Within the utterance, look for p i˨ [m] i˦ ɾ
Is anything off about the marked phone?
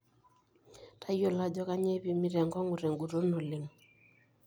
no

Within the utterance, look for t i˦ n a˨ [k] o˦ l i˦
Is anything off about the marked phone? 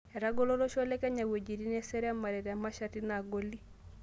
yes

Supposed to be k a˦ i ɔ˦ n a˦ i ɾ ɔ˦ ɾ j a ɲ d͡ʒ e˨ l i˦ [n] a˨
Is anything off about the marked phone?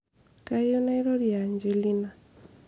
no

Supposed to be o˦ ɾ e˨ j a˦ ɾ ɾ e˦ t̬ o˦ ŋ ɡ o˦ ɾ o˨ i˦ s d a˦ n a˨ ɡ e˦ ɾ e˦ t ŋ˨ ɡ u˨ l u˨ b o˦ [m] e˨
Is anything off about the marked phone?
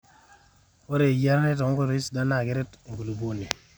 yes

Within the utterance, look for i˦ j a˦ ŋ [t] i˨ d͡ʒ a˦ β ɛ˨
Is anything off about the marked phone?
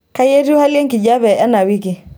yes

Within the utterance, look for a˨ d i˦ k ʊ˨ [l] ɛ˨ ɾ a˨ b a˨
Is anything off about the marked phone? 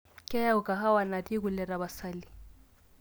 no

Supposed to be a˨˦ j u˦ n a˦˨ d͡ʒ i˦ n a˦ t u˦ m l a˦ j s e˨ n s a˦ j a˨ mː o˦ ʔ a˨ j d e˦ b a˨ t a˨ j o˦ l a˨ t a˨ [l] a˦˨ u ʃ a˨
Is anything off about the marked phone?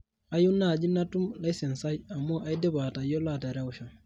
yes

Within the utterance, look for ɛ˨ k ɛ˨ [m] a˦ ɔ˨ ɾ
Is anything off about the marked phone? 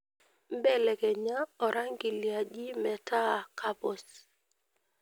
yes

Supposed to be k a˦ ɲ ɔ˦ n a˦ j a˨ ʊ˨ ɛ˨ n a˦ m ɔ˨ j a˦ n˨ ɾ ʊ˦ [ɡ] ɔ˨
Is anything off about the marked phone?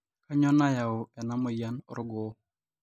no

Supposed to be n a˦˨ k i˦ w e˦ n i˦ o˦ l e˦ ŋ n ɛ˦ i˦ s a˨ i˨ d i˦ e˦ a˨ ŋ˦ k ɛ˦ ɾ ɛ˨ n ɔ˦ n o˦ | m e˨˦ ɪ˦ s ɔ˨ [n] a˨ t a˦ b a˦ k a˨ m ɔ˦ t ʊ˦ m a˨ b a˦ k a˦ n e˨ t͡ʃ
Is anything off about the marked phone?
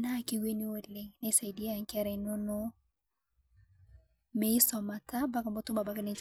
yes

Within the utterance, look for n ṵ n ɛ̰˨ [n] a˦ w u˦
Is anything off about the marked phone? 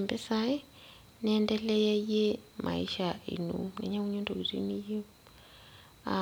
yes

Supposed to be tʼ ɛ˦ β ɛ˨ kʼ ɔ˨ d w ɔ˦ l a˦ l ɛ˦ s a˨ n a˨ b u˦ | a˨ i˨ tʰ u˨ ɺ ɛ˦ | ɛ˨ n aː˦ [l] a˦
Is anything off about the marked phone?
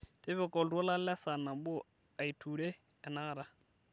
yes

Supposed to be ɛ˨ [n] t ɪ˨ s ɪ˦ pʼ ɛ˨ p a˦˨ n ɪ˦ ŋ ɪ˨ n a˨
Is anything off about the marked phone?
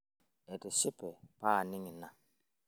yes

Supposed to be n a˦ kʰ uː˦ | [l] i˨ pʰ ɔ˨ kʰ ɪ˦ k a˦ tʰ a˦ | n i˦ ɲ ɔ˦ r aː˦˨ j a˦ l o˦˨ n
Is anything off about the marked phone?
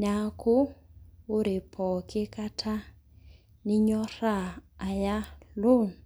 yes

